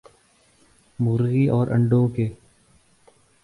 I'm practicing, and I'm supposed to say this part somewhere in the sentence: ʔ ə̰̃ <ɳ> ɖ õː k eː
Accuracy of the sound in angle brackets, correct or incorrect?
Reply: correct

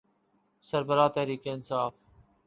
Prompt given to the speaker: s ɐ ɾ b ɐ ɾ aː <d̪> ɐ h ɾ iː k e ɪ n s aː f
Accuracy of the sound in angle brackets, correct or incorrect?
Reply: incorrect: t̪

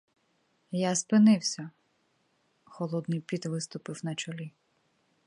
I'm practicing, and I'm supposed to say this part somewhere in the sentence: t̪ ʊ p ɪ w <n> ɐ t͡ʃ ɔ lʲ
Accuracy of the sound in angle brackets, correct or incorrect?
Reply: correct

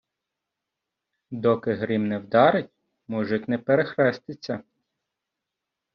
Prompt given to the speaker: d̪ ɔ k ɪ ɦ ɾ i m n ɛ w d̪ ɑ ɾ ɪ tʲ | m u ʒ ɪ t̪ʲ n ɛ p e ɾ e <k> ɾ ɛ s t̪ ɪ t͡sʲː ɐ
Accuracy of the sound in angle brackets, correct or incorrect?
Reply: incorrect: x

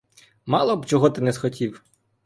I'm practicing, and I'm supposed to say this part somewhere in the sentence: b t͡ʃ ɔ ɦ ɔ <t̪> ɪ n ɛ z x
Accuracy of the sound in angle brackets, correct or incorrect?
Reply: correct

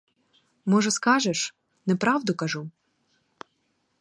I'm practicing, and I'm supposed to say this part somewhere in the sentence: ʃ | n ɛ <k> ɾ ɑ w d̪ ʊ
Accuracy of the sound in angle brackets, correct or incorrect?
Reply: incorrect: p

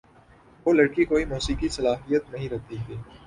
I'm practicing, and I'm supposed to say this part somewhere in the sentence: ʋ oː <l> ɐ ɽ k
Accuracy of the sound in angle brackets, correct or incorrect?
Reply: correct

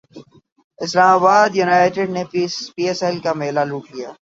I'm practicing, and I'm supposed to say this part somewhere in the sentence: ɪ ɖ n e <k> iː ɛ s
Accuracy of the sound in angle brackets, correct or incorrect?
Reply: incorrect: p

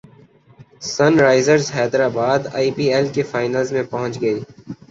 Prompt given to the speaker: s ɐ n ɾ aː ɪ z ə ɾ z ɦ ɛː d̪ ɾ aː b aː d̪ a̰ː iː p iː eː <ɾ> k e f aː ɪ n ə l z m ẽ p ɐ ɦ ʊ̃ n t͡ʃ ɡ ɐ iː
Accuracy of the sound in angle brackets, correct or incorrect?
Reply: incorrect: l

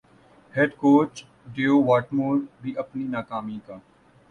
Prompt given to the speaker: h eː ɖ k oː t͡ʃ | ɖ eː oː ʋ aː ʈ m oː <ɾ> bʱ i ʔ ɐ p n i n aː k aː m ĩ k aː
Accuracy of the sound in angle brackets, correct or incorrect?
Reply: correct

